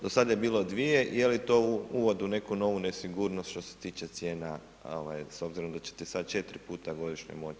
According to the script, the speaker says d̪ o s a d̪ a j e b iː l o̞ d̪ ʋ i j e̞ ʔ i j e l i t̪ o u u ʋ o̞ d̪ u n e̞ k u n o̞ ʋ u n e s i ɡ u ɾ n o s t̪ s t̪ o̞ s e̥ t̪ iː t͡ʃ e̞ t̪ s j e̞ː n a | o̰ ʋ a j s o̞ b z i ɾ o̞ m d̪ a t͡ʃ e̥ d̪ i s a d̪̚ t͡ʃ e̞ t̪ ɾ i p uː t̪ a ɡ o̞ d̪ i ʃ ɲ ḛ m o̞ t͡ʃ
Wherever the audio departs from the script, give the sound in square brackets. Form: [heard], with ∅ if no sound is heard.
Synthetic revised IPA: d̪ o s a d̪ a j e b iː l o̞ d̪ ʋ i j e̞ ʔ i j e l i t̪ o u u ʋ o̞ d̪ u n e̞ k u n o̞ ʋ u n e s i ɡ u ɾ n o s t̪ [ʃ] t̪ o̞ s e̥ t̪ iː t͡ʃ e̞ t̪ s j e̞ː n a | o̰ ʋ a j s o̞ b z i ɾ o̞ m d̪ a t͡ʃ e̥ [t̪] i s a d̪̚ t͡ʃ e̞ t̪ ɾ i p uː t̪ a ɡ o̞ d̪ i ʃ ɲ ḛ m o̞ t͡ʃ